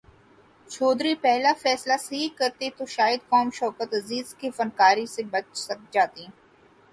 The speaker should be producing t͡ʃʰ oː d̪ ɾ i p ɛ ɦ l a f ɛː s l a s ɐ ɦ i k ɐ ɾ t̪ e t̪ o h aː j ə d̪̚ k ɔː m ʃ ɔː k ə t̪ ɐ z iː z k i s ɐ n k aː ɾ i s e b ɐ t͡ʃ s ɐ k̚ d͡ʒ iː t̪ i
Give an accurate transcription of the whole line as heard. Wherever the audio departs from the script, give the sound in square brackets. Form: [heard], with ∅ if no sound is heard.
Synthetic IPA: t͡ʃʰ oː d̪ ɾ i p ɛ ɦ l a f ɛː s l a s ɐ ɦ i k ɐ ɾ t̪ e t̪ o [ʃ] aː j ə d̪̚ k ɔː m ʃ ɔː k ə t̪ ɐ z iː z k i [f] ɐ n k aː ɾ i s e b ɐ t͡ʃ s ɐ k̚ d͡ʒ [aː] t̪ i

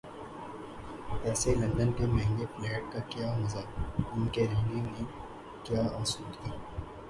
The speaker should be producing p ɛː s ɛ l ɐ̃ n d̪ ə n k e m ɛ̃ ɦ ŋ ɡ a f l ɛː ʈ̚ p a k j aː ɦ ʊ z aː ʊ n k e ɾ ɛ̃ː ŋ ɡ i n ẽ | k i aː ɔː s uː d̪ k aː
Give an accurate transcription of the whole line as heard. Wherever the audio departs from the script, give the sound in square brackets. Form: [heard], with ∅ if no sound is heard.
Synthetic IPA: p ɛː s [e] l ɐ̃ n d̪ ə n k e m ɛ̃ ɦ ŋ ɡ [e] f l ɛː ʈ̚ [k] a k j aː ɦ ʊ z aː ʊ n k e ɾ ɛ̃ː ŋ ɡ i n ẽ | k [j] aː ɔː s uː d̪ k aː

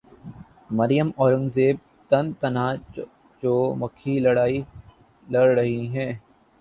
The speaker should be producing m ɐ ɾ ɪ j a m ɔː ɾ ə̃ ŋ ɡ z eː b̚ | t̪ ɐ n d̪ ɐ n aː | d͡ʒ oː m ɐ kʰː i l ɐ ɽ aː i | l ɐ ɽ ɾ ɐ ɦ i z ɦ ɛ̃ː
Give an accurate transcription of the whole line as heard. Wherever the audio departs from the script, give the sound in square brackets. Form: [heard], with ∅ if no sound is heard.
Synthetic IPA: m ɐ ɾ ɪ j [ə] m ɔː ɾ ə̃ ŋ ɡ z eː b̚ | t̪ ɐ n [t̪] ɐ n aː | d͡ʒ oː m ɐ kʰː i l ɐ ɽ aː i | l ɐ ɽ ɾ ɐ ɦ i [∅] ɦ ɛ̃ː

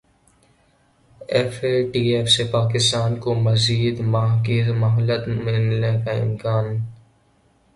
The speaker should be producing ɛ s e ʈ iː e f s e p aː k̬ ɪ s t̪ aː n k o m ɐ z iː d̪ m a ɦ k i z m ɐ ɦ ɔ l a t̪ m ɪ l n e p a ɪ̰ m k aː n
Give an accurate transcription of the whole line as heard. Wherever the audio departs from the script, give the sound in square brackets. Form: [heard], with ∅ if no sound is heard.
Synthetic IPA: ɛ [f] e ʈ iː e f s e p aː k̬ ɪ s t̪ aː n k o m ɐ z iː d̪ m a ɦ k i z m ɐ ɦ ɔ l [ə] t̪ m ɪ l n e [k] a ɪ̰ m k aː n

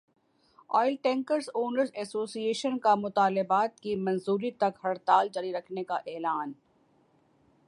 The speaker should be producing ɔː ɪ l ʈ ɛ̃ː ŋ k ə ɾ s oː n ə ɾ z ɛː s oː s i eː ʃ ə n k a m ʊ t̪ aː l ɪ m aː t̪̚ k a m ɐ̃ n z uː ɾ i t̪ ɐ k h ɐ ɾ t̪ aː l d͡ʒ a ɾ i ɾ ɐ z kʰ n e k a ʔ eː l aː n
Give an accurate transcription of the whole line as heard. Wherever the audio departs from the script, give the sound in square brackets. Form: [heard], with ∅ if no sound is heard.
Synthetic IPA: ɔː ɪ l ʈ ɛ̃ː ŋ k ə ɾ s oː n ə ɾ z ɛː s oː s i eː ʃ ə n k a m ʊ t̪ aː l ɪ [b] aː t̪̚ k [i] m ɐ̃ n z uː ɾ i t̪ ɐ k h ɐ ɾ t̪ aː l d͡ʒ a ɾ i ɾ ɐ [∅] kʰ n e k a ʔ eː l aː n

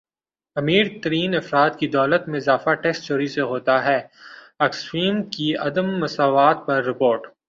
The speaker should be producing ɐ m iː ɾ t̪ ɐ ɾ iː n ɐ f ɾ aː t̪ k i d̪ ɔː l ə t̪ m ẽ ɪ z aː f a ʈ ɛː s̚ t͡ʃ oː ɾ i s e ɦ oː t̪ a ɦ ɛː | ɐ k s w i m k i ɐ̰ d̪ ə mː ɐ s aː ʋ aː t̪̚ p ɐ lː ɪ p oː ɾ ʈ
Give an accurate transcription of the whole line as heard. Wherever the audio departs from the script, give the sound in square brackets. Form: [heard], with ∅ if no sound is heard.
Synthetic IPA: ɐ m iː ɾ t̪ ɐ ɾ iː n ɐ f ɾ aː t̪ k i d̪ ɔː l ə t̪ m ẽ ɪ z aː f a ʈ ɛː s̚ t͡ʃ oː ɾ i s e ɦ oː t̪ a ɦ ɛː | ɐ k s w [iː] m k i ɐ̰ d̪ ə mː ɐ s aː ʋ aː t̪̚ p ɐ [ɾː] ɪ p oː ɾ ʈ

